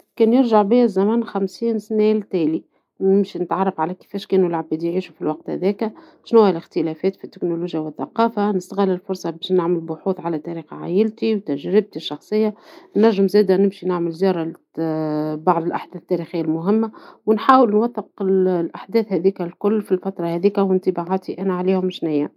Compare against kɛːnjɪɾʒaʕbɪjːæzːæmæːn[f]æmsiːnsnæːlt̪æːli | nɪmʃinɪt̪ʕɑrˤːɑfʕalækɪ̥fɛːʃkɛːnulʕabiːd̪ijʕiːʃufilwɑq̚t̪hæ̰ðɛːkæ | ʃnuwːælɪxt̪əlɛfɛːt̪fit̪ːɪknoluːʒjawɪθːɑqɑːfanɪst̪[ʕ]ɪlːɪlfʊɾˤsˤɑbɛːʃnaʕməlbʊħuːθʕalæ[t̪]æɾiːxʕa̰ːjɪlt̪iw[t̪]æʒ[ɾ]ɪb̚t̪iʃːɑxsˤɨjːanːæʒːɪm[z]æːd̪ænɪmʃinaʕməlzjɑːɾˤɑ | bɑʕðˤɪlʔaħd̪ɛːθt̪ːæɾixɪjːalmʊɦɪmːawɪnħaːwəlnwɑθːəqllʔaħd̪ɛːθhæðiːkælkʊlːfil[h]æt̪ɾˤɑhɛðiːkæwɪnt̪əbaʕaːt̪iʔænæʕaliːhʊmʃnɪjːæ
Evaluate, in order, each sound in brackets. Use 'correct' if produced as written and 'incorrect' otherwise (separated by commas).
incorrect, incorrect, correct, correct, correct, correct, incorrect